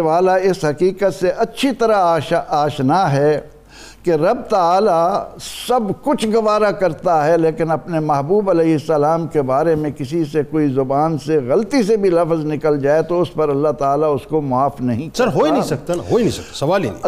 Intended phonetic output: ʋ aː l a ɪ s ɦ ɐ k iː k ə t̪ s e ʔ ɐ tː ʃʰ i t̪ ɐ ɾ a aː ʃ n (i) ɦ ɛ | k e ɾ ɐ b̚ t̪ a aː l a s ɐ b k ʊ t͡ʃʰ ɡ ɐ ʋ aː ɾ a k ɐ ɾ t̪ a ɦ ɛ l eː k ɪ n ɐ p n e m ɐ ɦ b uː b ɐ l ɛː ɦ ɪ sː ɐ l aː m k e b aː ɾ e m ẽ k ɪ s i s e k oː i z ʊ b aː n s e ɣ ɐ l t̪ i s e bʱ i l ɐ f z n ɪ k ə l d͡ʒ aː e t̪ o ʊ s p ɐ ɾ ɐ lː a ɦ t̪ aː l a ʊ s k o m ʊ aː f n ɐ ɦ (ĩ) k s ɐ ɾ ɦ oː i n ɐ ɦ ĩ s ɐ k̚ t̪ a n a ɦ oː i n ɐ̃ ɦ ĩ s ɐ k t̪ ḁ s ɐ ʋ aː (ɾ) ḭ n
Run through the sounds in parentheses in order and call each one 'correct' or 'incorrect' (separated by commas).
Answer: incorrect, correct, incorrect